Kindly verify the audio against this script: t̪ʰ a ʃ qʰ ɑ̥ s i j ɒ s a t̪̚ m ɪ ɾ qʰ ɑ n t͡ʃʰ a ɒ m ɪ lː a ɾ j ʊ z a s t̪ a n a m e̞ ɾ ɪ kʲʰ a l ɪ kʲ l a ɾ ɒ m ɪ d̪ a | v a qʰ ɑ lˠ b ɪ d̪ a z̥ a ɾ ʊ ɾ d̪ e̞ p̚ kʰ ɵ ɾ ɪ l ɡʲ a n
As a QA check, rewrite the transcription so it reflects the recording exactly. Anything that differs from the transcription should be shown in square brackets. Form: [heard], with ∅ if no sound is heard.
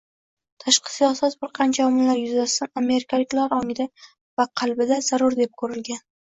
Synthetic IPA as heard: t̪ʰ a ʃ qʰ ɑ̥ s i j ɒ s a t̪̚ [b] ɪ ɾ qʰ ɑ n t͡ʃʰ a ɒ m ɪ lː a ɾ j ʊ z a s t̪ a n a m e̞ ɾ ɪ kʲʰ a l ɪ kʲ l a ɾ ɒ [ŋ] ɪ d̪ a | v a qʰ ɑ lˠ b ɪ d̪ a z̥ a ɾ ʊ ɾ d̪ e̞ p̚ kʰ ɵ ɾ ɪ l ɡʲ a n